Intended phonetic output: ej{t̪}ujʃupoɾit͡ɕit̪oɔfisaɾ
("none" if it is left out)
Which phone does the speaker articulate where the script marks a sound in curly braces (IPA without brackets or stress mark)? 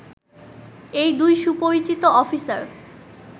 d̪